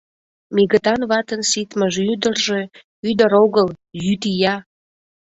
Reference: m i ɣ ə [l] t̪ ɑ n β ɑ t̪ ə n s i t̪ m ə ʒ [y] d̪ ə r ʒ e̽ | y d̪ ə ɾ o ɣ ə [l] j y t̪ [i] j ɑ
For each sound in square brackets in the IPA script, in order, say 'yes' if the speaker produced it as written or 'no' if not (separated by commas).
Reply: no, yes, yes, yes